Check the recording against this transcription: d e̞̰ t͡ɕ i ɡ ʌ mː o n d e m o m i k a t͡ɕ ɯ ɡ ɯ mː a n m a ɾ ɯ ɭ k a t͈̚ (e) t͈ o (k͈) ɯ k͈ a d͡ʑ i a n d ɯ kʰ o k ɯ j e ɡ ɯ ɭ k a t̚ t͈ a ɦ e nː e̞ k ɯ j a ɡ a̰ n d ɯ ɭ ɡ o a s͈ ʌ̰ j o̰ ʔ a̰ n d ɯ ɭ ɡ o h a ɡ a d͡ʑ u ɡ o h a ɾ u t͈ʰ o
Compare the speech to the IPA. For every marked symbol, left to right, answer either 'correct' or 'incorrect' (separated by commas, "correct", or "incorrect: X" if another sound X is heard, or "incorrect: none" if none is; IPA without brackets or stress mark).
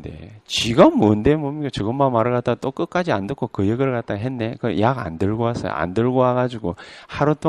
incorrect: a, correct